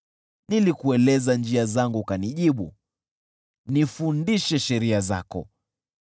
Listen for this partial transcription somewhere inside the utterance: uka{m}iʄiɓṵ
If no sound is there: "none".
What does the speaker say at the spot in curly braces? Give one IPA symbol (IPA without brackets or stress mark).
n